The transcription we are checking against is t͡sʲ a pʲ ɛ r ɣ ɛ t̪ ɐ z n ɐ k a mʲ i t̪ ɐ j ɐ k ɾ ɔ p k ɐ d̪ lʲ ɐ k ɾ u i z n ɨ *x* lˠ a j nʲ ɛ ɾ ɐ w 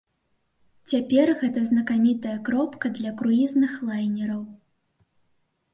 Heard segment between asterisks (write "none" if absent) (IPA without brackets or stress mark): x